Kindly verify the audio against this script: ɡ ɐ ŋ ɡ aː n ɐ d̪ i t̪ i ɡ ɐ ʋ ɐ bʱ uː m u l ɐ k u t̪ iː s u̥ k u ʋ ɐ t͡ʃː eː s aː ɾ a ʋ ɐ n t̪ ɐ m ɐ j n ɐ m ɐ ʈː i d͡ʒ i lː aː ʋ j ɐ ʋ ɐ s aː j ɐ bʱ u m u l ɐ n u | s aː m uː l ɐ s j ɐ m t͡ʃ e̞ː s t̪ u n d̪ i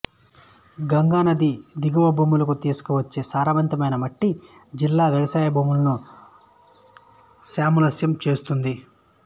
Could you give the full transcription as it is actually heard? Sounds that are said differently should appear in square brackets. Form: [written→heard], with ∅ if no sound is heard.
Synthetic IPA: ɡ ɐ ŋ ɡ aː n ɐ d̪ i [t̪→d̪] i ɡ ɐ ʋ ɐ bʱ uː m u l ɐ k u t̪ iː s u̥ k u ʋ ɐ t͡ʃː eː s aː ɾ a ʋ ɐ n t̪ ɐ m ɐ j n ɐ m ɐ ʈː i d͡ʒ i lː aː ʋ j ɐ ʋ ɐ s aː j ɐ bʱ [u→uː] m u l ɐ n u | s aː m [uː→u] l ɐ s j ɐ m t͡ʃ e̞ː s t̪ u n d̪ i

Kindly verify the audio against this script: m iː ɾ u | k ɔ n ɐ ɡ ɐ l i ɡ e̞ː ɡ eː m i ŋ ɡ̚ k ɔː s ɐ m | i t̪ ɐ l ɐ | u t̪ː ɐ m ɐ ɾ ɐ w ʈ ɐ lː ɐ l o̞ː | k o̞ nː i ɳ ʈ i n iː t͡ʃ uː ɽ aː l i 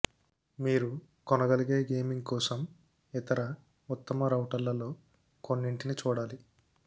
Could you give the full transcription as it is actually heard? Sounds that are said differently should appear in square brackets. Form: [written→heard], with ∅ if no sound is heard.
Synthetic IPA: m iː ɾ u | k ɔ n ɐ ɡ ɐ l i ɡ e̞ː ɡ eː m i ŋ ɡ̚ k ɔː s ɐ m | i t̪ ɐ [l→ɾ] ɐ | u t̪ː ɐ m ɐ ɾ ɐ w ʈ ɐ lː ɐ l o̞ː | k o̞ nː i ɳ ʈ i n [iː→i] t͡ʃ uː ɽ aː l i

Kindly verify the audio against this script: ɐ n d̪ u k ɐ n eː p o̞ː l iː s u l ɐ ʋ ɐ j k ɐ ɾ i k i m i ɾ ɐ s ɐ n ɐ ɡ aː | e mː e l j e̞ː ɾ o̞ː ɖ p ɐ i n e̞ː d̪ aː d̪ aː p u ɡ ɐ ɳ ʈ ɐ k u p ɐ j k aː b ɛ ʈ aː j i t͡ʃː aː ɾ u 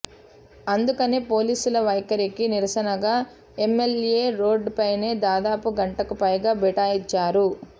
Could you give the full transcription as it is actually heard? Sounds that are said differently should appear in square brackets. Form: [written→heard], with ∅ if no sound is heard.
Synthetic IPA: ɐ n d̪ u k ɐ n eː p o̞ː l iː s u l ɐ ʋ ɐ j k ɐ ɾ i k i [m→n] i ɾ ɐ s ɐ n ɐ ɡ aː | e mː e l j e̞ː ɾ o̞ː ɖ p ɐ [i→j] n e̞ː d̪ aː d̪ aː p u ɡ ɐ ɳ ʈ ɐ k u p ɐ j [k→ɡ] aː b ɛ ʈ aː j i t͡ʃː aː ɾ u

